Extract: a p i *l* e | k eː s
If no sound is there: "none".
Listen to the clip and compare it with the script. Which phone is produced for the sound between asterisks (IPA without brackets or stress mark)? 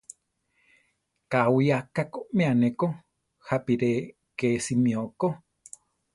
ɾ